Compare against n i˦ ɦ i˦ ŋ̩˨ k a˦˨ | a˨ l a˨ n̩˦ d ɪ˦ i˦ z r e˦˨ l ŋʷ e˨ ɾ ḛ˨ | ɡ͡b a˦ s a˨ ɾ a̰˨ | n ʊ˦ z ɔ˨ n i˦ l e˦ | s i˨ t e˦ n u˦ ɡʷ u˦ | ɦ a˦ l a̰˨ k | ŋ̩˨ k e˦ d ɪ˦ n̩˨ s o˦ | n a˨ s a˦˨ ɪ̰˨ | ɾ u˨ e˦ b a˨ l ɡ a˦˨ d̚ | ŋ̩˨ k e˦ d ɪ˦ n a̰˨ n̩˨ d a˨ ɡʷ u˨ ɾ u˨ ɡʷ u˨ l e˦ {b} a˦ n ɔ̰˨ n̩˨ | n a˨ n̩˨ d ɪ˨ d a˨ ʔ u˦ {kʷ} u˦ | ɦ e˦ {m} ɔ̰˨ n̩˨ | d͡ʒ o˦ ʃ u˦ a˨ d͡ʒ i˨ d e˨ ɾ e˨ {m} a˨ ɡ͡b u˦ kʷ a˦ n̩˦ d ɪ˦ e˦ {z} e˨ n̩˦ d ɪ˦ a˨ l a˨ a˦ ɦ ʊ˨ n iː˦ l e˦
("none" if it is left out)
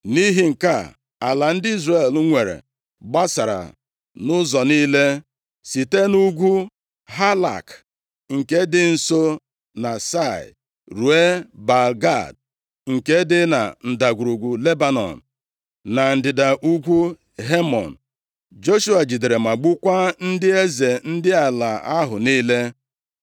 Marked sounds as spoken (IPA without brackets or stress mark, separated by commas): b, ɡʷ, m, m, z